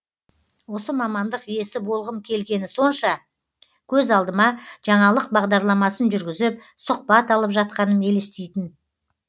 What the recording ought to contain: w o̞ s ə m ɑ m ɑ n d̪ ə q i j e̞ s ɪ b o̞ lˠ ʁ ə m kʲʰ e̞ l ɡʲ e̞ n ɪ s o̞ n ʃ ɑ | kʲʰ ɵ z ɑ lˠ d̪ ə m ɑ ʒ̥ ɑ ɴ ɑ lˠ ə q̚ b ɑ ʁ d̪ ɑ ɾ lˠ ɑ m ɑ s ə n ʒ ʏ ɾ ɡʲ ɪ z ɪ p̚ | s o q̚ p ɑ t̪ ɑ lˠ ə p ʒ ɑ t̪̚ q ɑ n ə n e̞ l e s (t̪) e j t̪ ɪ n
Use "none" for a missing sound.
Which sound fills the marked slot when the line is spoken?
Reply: t̪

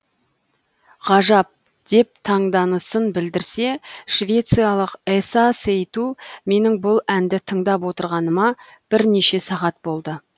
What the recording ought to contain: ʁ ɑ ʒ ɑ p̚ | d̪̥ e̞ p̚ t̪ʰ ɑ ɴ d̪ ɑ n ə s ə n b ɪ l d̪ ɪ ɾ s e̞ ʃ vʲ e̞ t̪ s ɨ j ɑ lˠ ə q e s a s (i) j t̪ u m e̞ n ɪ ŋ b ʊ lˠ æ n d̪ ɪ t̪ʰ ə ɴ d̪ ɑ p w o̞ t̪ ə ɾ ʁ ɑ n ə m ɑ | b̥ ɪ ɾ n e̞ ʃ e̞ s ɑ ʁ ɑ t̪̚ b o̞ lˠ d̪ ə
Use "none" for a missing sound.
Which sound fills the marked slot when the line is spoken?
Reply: e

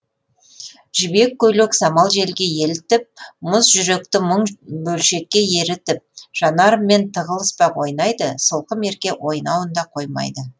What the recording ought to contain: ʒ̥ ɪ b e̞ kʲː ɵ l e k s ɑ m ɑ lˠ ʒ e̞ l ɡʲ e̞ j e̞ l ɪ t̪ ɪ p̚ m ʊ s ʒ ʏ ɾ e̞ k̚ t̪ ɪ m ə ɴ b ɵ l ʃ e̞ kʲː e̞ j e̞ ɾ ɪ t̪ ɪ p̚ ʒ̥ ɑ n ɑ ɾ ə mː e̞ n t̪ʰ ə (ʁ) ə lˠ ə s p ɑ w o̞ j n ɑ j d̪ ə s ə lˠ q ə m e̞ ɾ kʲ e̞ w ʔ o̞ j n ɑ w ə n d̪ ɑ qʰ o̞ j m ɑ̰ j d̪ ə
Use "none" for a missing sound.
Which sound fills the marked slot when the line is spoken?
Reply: ʁ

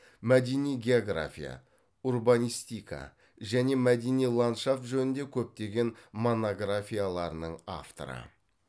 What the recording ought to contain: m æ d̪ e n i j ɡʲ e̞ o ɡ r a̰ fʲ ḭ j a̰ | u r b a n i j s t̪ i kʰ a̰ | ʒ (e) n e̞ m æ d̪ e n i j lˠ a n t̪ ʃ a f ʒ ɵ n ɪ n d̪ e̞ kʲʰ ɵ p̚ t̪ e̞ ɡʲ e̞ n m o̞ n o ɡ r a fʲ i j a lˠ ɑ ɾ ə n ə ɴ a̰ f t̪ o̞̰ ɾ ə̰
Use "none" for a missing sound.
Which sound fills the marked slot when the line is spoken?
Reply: æ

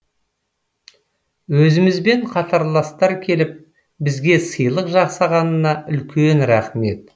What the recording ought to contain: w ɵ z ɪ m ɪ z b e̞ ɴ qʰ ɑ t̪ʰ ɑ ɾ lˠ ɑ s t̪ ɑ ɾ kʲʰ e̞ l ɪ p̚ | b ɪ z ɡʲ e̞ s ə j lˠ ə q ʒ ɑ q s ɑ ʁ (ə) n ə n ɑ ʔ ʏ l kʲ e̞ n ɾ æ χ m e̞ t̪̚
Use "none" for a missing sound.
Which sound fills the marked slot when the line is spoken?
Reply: ɑ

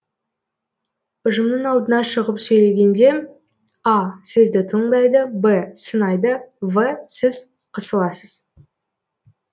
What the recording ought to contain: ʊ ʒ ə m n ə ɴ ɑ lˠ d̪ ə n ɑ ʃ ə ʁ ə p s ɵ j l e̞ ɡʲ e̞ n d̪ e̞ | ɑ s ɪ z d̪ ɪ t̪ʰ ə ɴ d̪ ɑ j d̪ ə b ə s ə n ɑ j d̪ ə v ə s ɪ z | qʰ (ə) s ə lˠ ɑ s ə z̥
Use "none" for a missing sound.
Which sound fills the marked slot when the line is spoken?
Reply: ə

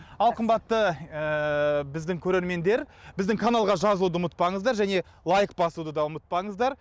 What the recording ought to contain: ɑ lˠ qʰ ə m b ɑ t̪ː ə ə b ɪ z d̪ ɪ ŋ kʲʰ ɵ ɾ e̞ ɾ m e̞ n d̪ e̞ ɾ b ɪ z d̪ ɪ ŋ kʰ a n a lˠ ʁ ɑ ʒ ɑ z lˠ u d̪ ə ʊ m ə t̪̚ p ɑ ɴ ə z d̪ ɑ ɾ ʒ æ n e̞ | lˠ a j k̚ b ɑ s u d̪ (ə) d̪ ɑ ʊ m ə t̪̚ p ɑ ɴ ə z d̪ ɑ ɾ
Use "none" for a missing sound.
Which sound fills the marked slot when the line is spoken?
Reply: ə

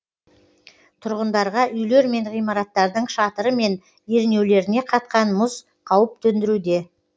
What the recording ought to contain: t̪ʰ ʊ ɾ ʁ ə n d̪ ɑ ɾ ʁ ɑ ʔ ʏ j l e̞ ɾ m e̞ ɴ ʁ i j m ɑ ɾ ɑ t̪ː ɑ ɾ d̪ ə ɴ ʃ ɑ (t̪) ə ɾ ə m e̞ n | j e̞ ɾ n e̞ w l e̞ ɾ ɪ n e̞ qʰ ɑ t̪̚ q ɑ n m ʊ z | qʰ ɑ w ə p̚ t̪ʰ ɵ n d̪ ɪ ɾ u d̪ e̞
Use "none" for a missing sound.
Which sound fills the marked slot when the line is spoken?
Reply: t̪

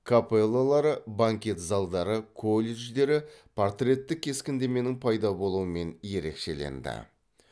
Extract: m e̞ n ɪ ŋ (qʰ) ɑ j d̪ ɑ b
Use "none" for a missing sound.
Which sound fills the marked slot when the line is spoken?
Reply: pʰ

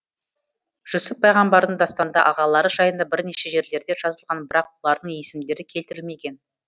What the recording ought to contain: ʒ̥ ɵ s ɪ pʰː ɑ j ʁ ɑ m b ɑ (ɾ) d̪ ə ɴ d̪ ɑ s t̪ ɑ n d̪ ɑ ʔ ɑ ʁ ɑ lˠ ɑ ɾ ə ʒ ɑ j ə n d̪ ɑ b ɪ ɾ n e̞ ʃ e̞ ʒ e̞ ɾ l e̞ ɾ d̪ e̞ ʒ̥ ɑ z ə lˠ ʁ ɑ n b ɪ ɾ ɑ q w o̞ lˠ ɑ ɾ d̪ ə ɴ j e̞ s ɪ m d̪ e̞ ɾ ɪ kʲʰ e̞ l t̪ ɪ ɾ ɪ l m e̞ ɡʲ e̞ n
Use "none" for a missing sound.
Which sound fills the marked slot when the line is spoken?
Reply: ɾ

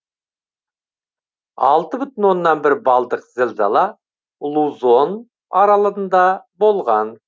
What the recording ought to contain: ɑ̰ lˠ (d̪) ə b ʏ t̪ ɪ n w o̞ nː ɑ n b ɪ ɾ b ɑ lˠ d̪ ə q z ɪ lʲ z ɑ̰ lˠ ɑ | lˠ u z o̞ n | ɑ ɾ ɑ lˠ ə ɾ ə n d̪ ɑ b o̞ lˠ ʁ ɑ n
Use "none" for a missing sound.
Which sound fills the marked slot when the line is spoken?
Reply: t̪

